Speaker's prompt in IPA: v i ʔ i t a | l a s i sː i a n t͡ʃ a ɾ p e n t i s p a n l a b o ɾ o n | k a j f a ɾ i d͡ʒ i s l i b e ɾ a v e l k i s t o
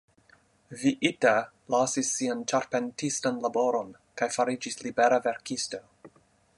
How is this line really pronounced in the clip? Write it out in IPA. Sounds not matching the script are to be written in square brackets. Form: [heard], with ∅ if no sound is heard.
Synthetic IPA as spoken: v i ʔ i t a | l a s i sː i a n t͡ʃ a ɾ p e n t i s [t] a n l a b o ɾ o n | k a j f a ɾ i d͡ʒ i s l i b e ɾ a v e [ɾ] k i s t o